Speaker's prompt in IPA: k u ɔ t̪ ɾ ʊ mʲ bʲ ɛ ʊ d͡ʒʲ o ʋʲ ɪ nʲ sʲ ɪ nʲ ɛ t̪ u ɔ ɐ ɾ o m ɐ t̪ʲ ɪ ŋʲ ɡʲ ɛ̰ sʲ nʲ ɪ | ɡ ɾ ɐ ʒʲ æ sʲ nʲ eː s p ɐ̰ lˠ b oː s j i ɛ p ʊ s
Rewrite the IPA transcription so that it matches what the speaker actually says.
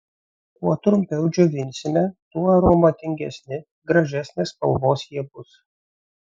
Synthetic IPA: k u ɔ t̪ ɾ ʊ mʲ pʲ ɛ ʊ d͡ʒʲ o ʋʲ ɪ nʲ sʲ ɪ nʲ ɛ t̪ u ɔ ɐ ɾ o m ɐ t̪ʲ ɪ ŋʲ ɡʲ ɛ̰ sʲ nʲ ɪ | ɡ ɾ ɐ ʒʲ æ sʲ nʲ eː s p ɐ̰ lˠ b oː s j i ɛ b ʊ s